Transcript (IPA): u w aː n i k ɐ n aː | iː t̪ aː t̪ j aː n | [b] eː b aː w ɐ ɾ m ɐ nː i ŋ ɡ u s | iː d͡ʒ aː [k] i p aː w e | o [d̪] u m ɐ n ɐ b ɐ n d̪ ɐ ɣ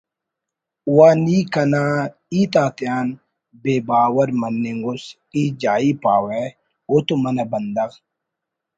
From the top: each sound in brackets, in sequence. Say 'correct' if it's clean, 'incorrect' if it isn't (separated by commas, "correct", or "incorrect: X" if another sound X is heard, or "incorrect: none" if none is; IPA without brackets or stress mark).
correct, incorrect: none, incorrect: t̪